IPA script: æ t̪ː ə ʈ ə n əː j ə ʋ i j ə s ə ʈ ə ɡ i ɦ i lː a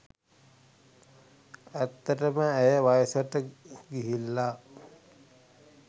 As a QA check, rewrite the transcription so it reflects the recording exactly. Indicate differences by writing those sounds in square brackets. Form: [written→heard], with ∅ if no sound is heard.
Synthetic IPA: æ t̪ː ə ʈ ə [n→m] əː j ə ʋ [i→a] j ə s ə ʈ ə ɡ i ɦ i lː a